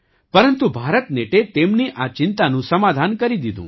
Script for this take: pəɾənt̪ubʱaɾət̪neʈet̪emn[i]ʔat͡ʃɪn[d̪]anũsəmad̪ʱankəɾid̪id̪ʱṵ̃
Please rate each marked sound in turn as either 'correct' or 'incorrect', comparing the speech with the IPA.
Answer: correct, incorrect

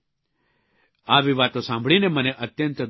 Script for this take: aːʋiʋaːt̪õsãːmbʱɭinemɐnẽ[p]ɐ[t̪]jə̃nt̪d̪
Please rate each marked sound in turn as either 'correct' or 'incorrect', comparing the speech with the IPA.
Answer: incorrect, correct

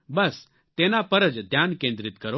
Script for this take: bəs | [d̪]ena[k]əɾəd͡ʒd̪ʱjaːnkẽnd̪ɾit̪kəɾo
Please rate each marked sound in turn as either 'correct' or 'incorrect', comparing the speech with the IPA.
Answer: incorrect, incorrect

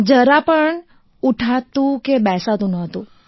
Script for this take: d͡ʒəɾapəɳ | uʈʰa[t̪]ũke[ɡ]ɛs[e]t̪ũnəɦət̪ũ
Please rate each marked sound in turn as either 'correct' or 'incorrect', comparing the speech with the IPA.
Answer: correct, incorrect, incorrect

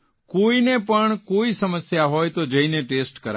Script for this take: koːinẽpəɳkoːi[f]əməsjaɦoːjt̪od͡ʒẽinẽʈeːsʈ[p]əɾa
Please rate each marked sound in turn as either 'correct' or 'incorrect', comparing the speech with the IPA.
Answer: incorrect, incorrect

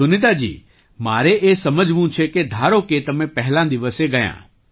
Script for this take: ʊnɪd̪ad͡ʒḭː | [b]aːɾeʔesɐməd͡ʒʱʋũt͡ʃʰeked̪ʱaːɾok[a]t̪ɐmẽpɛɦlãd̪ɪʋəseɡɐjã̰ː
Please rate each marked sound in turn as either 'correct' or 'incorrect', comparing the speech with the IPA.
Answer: incorrect, incorrect

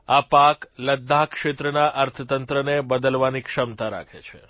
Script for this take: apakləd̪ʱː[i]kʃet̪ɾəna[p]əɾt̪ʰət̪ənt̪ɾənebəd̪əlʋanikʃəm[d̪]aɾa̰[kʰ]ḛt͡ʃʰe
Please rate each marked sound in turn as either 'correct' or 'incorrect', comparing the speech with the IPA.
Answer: incorrect, incorrect, incorrect, correct

